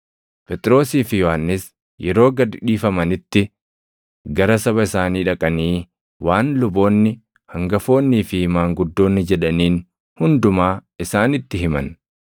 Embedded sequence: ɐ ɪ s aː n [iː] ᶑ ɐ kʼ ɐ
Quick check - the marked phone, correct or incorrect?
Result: correct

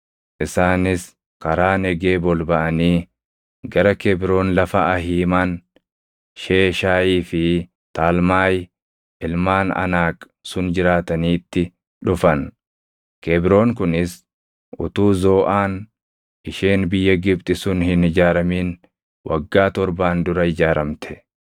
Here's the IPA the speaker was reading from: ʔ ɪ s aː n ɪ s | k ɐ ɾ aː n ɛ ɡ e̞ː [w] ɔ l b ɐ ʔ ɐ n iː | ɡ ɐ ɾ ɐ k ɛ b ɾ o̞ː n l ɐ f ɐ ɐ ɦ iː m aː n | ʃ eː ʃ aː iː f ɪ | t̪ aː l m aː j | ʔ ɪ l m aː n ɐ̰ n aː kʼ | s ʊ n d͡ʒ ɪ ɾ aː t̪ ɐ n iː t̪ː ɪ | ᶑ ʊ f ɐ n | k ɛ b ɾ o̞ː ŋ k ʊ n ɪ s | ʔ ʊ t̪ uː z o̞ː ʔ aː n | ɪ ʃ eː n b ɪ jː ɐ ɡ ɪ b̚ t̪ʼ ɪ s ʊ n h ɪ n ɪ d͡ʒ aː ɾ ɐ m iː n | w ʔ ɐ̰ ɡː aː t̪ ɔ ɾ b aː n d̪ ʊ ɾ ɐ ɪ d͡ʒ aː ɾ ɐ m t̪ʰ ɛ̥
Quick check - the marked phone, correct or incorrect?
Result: incorrect: b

